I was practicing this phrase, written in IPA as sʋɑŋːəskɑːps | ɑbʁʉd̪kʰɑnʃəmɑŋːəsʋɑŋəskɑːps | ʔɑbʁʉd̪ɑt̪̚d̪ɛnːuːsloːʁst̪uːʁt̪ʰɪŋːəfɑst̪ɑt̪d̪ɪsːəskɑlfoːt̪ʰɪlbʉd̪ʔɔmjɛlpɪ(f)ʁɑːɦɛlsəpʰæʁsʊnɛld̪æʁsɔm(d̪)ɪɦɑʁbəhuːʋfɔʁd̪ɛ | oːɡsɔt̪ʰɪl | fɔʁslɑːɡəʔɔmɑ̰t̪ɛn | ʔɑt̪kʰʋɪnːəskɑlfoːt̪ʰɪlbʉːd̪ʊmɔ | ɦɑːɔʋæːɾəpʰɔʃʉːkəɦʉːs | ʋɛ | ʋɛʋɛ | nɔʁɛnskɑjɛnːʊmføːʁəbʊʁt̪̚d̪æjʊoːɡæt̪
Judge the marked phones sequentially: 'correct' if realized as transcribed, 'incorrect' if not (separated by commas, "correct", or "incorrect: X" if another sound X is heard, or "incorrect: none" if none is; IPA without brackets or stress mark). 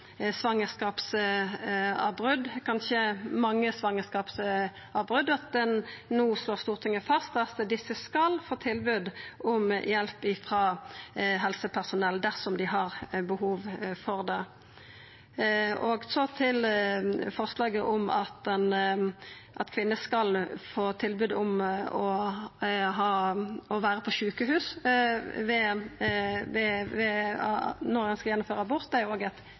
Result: correct, correct